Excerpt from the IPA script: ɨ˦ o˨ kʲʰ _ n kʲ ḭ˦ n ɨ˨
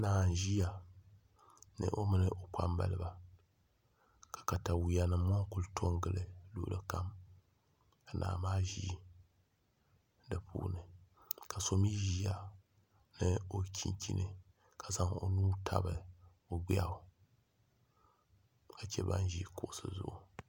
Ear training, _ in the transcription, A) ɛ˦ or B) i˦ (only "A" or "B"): B